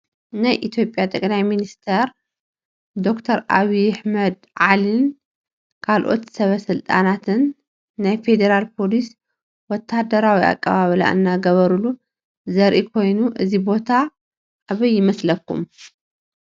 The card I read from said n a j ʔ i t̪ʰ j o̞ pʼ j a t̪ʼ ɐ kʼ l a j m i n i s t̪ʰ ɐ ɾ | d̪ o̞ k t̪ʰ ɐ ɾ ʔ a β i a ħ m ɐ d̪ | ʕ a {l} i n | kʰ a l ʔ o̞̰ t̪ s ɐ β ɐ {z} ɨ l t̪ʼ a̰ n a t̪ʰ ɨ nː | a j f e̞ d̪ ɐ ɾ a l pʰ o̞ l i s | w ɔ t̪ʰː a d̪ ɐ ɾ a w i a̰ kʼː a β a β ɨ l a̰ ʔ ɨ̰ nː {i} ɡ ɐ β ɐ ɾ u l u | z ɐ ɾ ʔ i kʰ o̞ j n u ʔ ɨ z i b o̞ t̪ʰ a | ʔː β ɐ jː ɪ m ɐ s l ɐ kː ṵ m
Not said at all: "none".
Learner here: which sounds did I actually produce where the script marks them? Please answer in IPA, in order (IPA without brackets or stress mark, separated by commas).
l, s, a